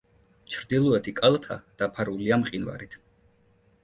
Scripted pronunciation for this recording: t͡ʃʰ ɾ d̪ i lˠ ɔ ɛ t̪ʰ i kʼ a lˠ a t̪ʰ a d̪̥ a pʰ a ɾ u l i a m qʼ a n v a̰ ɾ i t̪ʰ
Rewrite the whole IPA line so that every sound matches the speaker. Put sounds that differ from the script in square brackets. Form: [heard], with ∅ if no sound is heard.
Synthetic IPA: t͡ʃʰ ɾ d̪ i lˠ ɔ ɛ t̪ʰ i kʼ a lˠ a t̪ʰ a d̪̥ a pʰ a ɾ u l i a m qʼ [i] n v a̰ ɾ i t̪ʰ